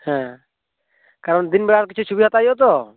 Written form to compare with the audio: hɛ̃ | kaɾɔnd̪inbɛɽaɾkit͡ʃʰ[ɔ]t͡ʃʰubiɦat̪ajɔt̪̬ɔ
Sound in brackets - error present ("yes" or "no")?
yes